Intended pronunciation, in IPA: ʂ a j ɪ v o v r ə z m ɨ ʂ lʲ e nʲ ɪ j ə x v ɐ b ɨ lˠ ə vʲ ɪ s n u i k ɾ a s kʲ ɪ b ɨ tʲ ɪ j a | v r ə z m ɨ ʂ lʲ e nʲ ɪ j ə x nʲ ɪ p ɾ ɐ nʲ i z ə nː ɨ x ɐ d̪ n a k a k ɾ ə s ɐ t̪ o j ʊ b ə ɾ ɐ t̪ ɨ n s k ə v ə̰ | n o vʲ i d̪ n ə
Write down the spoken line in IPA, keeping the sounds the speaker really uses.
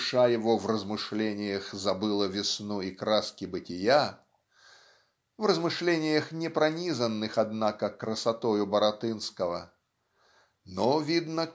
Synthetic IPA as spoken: ʂ a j ɪ v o v r ə z m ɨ ʂ lʲ e nʲ ɪ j ə x z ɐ b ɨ lˠ ə vʲ ɪ s n u i k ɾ a s kʲ ɪ b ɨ tʲ ɪ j a | v r ə z m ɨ ʂ lʲ e nʲ ɪ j ə x nʲ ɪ p ɾ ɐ nʲ i z ə nː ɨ x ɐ d̪ n a k ə k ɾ ə s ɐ t̪ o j ʊ b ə ɾ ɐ t̪ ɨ n s k ə v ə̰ | n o vʲ i d̪ n ə

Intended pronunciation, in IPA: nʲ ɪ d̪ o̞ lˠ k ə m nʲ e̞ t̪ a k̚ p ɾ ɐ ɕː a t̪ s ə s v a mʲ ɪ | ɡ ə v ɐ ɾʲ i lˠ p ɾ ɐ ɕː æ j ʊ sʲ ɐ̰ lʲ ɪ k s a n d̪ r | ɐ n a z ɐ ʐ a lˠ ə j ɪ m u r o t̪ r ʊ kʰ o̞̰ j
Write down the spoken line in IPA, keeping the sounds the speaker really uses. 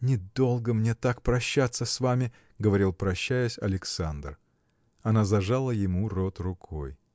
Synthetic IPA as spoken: nʲ ɪ d̪ o̞ lˠ ɡ ə m nʲ e̞ t̪ a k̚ p ɾ ɐ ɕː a t̪ s ə s v a mʲ ɪ | ɡ ə v ɐ ɾʲ i lˠ p ɾ ɐ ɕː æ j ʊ sʲ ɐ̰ lʲ ɪ k s a n d̪ r | ɐ n a z ɐ ʐ a lˠ ə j ɪ m u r o t̪ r ʊ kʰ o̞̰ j

